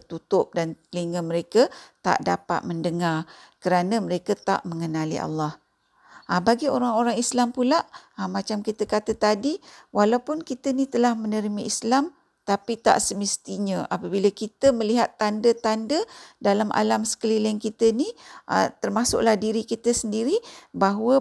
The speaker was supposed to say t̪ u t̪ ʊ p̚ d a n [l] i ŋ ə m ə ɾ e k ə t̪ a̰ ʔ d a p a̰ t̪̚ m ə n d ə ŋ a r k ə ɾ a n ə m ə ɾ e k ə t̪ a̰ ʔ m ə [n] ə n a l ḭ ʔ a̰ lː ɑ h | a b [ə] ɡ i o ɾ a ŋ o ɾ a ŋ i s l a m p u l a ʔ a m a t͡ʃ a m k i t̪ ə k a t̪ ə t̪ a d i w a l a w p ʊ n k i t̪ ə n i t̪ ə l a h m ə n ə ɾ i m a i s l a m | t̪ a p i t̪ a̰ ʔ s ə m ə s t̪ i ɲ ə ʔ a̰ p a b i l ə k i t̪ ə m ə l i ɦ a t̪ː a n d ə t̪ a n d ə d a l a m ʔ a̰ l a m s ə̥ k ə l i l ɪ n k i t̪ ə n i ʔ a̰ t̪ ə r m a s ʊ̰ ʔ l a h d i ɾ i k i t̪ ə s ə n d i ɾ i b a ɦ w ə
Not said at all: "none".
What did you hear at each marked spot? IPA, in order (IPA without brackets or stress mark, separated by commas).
l, ŋ, a